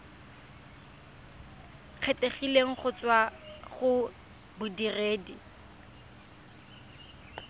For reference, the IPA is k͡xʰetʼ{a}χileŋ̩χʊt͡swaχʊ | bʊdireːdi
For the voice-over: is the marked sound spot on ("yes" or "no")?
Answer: no